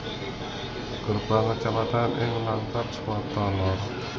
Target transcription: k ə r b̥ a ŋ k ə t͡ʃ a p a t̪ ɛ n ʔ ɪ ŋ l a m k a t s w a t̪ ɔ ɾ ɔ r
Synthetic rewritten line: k ə r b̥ a ŋ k ə t͡ʃ a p a t̪ a n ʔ ɪ ŋ l a ŋ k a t s w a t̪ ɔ l ɔ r